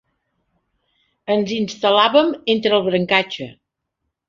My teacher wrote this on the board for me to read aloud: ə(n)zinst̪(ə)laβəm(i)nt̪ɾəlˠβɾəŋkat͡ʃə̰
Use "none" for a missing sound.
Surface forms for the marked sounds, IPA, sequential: n, ə, e

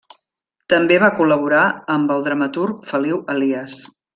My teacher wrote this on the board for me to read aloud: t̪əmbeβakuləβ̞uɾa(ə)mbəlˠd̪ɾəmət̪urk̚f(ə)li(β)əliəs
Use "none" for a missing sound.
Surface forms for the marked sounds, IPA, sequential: ə, ə, w

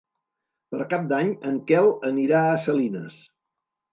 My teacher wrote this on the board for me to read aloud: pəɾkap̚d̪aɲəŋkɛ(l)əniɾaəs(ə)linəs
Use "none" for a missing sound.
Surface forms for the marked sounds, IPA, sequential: l, ə

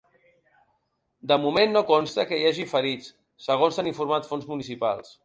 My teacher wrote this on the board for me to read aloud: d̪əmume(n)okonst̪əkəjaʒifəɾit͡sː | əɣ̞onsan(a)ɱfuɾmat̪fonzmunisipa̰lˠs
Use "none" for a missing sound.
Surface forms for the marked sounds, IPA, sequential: nː, i

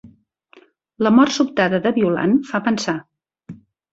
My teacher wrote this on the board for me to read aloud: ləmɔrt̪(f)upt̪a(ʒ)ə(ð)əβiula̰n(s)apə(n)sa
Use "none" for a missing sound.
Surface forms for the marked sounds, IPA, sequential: s, ð, ð, f, n

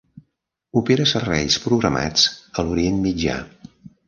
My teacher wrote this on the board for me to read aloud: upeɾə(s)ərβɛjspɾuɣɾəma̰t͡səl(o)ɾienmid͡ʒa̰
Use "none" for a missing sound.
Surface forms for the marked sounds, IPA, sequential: s, u

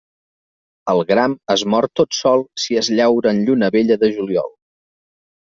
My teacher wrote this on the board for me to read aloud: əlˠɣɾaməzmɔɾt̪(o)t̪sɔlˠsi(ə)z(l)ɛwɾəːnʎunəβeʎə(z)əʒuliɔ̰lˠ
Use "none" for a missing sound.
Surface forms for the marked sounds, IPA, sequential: o, ə, ʎ, ð

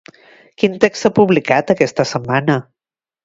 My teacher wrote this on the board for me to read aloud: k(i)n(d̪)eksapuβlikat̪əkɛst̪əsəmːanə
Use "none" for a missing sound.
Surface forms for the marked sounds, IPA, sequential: i, t̪

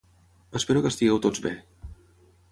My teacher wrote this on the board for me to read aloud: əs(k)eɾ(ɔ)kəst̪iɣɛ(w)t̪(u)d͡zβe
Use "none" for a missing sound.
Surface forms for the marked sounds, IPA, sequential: p, u, w, o

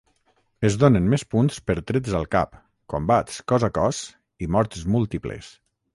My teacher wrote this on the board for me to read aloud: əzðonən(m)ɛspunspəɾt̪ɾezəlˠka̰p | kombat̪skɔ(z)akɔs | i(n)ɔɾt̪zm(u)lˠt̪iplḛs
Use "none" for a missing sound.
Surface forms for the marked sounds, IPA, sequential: m, z, m, u

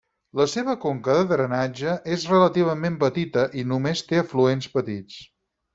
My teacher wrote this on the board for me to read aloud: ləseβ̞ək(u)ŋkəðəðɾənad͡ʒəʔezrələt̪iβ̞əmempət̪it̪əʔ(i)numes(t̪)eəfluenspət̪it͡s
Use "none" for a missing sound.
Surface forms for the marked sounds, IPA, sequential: o, i, t̪

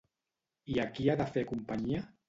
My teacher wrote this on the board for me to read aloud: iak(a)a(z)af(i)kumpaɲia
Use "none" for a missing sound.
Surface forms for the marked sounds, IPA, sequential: i, ð, e

